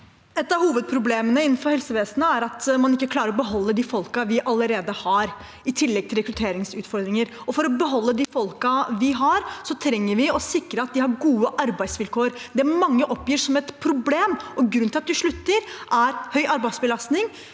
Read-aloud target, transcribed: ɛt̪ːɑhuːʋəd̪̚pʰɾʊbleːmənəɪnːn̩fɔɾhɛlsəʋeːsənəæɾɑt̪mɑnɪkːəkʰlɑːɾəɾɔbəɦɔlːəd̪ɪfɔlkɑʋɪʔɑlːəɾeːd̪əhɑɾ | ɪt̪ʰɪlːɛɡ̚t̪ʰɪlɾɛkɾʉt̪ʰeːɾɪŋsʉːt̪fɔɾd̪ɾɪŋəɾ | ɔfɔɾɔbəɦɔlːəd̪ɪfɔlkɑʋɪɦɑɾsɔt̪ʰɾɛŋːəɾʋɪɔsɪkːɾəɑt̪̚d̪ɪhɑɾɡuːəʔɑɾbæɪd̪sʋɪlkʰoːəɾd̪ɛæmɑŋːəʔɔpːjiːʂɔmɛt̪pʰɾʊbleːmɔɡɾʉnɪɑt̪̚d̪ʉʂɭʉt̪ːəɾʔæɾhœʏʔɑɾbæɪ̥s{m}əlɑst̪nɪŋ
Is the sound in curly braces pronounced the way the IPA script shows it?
no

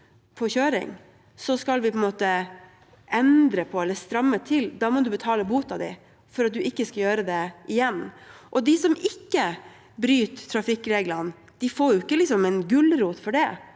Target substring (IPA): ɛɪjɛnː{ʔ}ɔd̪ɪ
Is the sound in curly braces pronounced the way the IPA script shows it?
yes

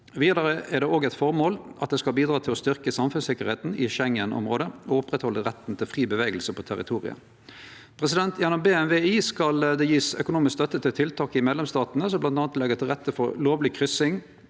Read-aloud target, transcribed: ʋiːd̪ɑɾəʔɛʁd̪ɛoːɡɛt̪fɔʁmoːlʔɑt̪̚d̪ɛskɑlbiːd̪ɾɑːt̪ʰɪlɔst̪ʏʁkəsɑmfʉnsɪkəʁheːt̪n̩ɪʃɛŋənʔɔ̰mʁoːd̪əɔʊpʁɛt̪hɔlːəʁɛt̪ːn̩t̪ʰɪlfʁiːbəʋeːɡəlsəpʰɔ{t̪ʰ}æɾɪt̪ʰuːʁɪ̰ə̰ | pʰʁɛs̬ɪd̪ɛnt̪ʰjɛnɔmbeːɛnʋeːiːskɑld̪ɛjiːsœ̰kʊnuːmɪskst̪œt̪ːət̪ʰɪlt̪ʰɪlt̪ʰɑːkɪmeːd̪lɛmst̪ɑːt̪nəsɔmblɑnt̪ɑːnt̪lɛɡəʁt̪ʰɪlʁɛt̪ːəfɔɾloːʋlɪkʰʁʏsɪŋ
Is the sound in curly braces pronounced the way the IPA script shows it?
yes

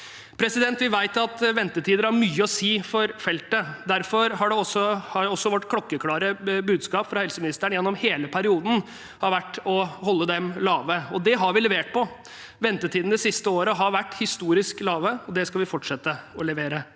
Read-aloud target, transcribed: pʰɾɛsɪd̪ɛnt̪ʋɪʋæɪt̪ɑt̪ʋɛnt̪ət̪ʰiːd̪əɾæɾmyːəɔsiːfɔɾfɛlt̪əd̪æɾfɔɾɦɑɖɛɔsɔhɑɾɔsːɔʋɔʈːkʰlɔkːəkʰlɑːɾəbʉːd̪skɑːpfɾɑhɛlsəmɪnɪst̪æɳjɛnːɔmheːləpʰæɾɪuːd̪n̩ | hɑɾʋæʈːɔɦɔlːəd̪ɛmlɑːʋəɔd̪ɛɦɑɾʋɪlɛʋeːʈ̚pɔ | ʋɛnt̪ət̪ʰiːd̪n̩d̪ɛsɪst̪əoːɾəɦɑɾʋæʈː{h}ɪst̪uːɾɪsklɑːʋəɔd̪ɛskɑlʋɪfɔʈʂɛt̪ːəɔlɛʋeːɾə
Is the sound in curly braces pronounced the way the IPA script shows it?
yes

